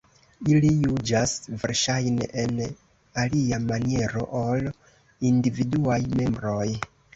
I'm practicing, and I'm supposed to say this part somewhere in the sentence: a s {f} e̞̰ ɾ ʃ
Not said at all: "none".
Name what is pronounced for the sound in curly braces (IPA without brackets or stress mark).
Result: v